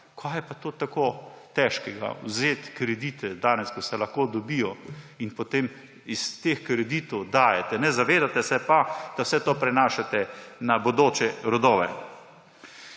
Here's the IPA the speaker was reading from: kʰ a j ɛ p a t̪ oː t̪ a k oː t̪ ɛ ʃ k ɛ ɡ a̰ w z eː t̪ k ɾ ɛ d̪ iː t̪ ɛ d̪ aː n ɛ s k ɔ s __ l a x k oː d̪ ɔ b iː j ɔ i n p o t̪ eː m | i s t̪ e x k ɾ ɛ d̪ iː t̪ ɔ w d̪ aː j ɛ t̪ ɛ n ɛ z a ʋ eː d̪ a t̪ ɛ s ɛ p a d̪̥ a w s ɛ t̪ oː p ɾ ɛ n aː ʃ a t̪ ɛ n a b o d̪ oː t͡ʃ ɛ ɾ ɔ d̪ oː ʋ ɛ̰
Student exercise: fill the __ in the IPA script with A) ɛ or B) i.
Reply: A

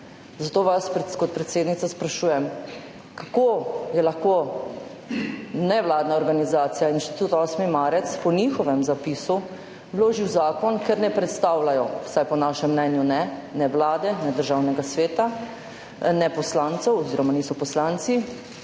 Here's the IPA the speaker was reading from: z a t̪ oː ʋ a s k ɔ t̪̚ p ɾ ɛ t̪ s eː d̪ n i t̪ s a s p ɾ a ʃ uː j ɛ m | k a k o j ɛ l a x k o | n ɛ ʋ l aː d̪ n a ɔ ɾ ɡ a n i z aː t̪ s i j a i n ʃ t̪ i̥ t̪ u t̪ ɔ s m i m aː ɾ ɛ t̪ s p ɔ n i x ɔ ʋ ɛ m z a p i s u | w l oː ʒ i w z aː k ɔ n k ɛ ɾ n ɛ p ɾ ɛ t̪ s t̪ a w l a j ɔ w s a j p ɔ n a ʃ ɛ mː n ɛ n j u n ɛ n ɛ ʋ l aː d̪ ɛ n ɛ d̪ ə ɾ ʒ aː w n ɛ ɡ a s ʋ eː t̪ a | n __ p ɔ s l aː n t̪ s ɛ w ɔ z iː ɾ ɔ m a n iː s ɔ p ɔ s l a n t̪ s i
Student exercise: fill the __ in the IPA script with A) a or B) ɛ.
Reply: B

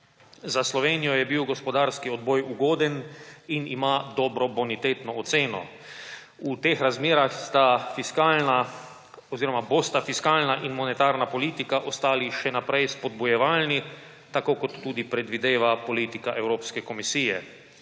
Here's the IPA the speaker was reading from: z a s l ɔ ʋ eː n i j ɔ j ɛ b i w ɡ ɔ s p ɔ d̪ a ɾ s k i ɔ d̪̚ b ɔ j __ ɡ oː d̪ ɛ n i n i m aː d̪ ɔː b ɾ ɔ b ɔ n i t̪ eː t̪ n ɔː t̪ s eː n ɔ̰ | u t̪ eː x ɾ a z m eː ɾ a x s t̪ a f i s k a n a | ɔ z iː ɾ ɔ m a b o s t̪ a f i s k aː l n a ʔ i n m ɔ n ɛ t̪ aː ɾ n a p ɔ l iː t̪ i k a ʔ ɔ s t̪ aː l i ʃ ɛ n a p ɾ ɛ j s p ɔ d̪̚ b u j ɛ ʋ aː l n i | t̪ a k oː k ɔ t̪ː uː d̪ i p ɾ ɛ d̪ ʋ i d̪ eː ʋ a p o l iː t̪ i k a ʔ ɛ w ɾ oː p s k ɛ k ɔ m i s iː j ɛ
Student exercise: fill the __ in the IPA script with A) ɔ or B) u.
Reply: B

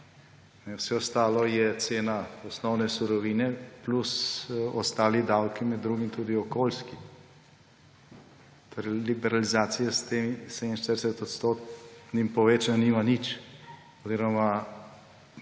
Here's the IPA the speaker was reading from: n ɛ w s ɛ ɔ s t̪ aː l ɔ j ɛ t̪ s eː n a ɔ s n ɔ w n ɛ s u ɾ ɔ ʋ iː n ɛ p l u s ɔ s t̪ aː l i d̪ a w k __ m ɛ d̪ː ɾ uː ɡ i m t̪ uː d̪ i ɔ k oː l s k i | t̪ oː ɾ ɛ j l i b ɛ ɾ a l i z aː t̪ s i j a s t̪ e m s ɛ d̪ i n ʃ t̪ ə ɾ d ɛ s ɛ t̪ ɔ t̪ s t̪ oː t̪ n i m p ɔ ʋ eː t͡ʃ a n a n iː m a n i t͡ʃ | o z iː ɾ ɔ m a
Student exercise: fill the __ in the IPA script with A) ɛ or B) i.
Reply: B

